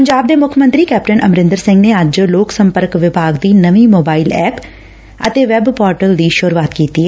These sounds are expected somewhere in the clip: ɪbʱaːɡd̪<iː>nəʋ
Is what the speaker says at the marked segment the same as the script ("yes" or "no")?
yes